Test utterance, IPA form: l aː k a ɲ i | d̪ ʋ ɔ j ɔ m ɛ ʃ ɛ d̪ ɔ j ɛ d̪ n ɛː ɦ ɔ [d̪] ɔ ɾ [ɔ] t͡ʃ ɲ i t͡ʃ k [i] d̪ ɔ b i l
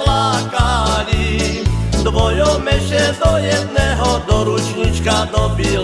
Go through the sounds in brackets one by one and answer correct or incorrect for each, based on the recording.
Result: correct, incorrect, incorrect

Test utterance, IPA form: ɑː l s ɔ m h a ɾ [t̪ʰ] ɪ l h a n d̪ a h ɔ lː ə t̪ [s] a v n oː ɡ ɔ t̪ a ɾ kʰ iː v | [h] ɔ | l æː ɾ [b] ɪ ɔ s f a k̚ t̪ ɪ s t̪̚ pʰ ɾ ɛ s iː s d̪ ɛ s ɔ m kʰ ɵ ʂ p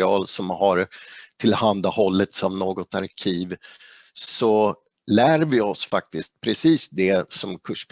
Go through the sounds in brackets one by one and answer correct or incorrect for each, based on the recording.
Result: correct, correct, incorrect, incorrect

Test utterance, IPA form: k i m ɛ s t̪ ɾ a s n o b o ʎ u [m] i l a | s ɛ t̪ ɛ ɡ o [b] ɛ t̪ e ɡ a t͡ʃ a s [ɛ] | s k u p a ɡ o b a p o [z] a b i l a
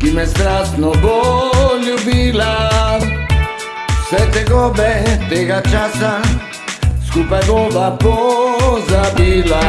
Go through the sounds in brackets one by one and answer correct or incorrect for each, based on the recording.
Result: incorrect, correct, incorrect, correct

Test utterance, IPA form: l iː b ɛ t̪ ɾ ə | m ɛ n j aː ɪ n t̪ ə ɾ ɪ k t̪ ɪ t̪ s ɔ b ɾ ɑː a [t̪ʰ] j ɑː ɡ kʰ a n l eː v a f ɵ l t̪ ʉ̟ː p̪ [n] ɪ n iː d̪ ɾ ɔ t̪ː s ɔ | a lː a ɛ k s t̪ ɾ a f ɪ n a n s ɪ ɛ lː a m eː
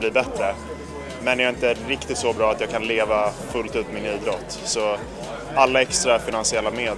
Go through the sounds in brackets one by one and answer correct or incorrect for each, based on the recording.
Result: incorrect, incorrect

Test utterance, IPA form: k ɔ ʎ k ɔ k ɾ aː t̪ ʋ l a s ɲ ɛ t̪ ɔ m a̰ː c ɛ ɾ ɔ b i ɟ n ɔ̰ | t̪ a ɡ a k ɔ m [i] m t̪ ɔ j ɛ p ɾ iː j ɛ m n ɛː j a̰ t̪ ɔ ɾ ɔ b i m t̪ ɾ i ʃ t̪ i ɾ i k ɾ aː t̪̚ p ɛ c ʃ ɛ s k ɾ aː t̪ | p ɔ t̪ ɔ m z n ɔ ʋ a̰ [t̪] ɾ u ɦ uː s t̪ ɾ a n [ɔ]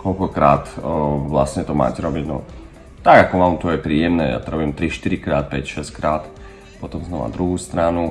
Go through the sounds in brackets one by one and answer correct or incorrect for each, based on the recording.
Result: incorrect, incorrect, incorrect

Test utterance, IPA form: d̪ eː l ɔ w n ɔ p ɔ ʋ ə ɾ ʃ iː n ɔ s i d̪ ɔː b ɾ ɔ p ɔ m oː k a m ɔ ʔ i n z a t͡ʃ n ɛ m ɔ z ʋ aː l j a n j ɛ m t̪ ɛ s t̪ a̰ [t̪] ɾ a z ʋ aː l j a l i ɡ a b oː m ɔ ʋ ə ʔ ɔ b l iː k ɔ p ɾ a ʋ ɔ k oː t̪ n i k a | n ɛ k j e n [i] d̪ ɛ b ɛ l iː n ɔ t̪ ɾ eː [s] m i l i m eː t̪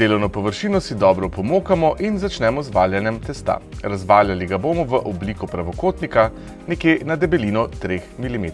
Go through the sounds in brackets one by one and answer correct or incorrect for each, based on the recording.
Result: incorrect, incorrect, incorrect

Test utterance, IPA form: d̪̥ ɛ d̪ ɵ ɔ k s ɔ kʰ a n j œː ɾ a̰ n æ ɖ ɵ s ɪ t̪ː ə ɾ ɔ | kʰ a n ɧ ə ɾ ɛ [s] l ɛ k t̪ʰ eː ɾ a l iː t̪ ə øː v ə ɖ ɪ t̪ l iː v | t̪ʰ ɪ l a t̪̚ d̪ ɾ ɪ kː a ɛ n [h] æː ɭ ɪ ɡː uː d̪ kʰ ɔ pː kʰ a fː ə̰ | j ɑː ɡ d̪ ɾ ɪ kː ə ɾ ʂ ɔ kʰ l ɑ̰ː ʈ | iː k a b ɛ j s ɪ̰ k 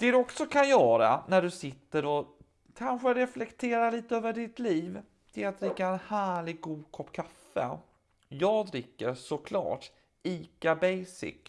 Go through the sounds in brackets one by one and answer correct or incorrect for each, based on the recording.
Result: incorrect, correct

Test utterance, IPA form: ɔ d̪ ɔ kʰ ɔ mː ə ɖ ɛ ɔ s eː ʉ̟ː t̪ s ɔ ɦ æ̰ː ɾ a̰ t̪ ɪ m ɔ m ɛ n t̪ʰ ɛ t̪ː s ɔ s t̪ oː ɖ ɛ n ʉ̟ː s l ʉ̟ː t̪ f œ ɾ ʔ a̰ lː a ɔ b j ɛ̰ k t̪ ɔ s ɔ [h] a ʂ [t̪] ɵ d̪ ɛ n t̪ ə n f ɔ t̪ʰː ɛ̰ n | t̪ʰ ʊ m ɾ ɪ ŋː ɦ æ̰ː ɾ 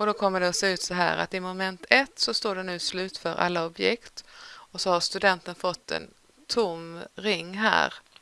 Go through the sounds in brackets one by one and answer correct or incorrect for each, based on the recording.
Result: correct, correct

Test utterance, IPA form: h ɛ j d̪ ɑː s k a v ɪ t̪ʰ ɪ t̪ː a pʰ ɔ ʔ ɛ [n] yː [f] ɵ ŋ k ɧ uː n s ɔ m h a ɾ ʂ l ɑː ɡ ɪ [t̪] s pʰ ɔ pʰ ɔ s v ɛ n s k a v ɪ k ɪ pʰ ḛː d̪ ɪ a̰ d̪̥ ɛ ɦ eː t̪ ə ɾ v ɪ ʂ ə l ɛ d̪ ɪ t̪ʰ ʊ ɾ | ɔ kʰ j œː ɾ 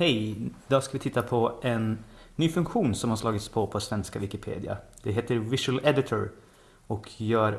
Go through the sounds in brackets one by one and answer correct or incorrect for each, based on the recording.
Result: incorrect, correct, correct

